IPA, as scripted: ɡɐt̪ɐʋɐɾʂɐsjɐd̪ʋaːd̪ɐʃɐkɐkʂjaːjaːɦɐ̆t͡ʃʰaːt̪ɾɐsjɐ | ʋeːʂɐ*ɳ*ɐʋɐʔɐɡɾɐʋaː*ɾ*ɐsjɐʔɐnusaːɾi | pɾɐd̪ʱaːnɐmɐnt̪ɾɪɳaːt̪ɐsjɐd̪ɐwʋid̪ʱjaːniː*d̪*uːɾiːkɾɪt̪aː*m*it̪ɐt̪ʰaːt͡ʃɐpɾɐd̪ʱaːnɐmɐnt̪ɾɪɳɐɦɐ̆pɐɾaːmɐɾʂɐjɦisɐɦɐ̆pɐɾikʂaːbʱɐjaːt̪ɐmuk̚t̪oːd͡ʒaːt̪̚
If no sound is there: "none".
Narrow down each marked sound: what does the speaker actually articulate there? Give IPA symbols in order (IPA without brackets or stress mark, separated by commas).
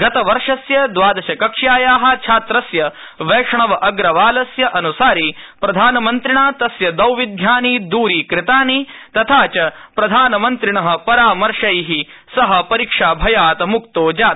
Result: ɳ, l, d̪, n